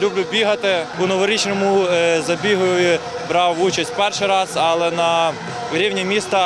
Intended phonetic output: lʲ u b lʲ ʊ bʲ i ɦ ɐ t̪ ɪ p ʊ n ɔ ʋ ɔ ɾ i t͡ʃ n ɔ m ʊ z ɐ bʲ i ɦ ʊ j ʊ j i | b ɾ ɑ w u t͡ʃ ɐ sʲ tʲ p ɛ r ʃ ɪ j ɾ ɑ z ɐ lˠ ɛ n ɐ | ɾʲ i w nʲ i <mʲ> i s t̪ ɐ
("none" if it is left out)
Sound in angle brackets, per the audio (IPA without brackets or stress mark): mʲ